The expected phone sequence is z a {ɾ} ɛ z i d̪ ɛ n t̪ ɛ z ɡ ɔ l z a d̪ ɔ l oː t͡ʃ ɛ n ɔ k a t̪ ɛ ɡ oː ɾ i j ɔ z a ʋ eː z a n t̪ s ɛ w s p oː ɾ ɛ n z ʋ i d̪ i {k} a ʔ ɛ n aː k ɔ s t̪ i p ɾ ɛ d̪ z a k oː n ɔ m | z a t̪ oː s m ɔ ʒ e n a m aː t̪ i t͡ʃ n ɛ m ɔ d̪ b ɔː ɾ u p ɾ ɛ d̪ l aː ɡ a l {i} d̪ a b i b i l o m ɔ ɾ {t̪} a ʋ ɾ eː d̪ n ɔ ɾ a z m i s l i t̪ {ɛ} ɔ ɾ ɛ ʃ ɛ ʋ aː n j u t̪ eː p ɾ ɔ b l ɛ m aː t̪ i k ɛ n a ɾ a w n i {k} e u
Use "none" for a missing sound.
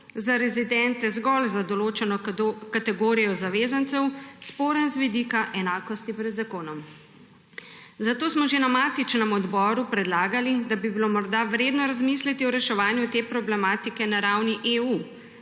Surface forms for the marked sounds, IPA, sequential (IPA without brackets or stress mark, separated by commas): ɾ, k, i, d̪, i, ʔ